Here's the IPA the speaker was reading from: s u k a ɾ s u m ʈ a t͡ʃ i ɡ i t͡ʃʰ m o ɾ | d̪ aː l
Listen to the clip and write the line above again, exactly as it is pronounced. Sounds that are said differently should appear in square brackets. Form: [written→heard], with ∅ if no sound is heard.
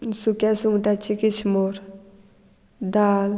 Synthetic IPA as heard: s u k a [ɾ→∅] s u [m→ŋ] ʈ a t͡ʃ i [ɡ→k] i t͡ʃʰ m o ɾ | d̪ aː l